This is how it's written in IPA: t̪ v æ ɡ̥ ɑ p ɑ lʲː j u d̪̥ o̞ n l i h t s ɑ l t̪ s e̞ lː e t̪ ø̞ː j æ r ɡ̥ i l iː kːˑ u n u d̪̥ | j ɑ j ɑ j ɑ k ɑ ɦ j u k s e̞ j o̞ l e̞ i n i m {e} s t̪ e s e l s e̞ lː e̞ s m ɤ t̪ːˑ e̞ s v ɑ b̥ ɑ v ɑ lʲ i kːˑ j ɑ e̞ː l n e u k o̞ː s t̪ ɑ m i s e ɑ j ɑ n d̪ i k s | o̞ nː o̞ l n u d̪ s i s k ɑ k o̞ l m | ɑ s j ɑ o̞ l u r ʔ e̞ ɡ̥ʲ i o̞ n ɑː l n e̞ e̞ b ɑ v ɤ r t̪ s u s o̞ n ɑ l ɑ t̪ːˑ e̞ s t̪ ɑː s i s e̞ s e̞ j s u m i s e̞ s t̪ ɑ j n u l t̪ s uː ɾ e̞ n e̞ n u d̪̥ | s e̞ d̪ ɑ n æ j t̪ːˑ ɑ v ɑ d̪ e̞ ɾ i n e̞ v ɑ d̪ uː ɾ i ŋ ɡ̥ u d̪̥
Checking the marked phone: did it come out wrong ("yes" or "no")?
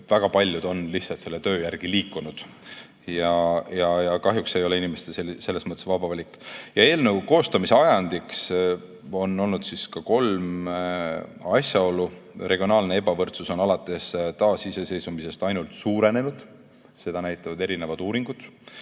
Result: no